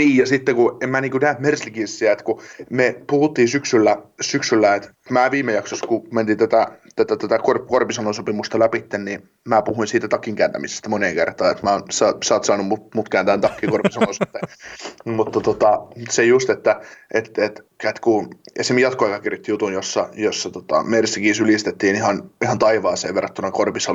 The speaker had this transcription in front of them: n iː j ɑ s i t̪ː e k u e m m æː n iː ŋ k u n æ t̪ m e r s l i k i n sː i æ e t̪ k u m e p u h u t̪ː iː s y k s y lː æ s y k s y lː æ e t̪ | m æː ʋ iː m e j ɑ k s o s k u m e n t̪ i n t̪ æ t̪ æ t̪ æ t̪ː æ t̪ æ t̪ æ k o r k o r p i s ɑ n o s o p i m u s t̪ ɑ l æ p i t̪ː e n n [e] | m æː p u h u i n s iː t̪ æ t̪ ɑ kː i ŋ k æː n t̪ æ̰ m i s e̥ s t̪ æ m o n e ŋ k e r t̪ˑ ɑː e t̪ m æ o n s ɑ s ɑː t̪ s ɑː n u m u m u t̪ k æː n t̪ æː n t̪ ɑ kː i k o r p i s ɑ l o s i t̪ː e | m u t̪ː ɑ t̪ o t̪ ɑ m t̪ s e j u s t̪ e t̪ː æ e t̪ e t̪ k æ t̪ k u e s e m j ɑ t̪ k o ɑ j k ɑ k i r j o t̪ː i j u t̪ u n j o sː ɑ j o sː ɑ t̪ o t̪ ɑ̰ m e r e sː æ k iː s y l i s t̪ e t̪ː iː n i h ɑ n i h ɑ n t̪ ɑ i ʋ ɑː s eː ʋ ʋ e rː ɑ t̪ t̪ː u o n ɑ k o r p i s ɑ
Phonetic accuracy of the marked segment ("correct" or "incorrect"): incorrect